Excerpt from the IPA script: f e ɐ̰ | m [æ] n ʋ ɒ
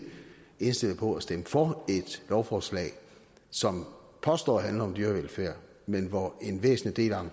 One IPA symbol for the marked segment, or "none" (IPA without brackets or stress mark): e